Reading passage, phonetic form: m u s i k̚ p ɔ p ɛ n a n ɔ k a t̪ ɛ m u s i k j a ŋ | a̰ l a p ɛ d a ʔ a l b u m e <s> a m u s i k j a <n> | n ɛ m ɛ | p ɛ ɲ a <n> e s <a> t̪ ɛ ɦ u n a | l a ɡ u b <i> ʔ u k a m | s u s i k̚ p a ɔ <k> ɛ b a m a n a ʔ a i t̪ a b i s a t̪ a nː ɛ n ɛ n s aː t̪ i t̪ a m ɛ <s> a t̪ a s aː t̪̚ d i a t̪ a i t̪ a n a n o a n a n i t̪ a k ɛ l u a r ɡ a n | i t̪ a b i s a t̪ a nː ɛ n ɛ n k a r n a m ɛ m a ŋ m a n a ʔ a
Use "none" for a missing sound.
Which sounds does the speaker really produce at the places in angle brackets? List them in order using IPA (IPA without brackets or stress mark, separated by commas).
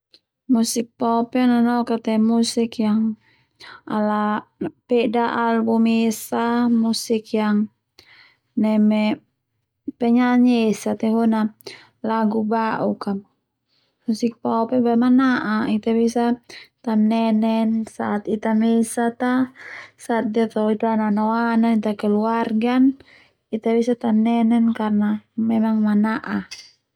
s, ŋ, ɲ, a, a, p, s